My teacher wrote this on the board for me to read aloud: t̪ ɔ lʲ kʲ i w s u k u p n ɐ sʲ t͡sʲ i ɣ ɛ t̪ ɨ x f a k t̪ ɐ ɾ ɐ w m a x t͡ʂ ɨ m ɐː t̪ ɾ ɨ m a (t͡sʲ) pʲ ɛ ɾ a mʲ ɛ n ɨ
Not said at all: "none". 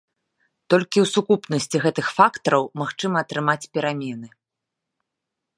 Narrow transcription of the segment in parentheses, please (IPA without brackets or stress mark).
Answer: t͡sʲ